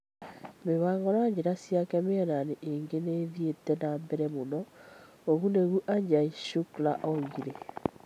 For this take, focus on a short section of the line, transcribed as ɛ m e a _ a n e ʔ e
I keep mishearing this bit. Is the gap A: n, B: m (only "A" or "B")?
A